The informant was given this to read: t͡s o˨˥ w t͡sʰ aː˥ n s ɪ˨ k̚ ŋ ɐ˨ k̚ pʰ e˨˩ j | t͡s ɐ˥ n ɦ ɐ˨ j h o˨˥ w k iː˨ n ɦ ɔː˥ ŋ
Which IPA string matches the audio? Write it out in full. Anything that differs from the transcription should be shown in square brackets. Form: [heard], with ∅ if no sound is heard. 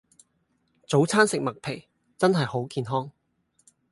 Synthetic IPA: t͡s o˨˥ w t͡sʰ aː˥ n s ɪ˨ k̚ [m] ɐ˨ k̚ pʰ e˨˩ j | t͡s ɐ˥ n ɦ ɐ˨ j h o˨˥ w k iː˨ n ɦ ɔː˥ ŋ